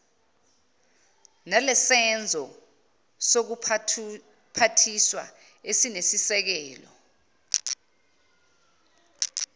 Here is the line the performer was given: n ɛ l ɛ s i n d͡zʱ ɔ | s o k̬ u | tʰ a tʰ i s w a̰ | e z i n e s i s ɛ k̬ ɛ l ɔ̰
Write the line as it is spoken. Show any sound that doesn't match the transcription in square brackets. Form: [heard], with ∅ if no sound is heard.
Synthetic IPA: n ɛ l ɛ s [ɛ] n d͡zʱ ɔ | s o k̬ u | [pʰ] a tʰ i s w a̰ | e [s] i n e s i s ɛ k̬ [ɛː] l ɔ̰